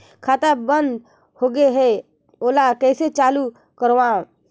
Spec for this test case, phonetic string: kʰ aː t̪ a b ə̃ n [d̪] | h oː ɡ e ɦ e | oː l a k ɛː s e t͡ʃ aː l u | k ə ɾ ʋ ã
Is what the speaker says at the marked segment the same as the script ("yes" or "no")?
yes